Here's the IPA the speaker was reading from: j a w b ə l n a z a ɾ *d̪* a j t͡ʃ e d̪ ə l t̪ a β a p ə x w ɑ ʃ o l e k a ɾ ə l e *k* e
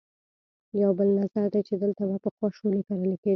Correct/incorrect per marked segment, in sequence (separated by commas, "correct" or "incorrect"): correct, correct